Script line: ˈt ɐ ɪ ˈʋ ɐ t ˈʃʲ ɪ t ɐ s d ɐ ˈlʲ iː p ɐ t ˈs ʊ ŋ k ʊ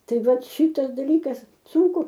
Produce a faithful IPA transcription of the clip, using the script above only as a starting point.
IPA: ˈt ɐ ɪ ˈʋ ɐ t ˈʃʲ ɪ t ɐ s d ɐ ˈlʲ iː k ɐ s ˈs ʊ ŋ k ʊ